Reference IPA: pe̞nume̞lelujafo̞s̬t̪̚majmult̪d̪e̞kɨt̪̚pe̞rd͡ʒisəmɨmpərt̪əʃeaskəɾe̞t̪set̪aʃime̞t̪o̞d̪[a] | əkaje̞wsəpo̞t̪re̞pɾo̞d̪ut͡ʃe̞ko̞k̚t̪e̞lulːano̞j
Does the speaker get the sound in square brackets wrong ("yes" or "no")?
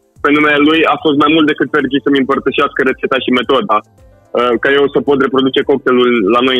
no